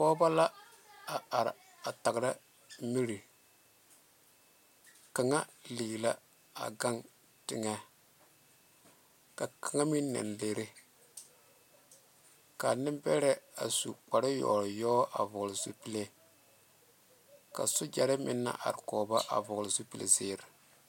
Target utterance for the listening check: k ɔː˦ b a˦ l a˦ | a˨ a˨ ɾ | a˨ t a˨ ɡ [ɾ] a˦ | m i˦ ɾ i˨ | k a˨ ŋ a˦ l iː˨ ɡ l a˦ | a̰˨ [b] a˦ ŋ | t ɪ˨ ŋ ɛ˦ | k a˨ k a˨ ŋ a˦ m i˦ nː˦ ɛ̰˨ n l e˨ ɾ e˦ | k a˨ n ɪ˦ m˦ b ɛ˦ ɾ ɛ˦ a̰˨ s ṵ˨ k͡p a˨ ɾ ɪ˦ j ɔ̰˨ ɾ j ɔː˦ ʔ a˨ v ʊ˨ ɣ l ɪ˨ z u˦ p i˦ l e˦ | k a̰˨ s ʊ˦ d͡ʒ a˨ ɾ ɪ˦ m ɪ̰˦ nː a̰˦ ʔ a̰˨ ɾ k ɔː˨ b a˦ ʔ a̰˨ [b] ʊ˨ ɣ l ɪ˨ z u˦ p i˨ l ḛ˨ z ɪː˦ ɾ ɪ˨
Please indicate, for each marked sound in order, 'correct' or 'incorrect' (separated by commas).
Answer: correct, incorrect, incorrect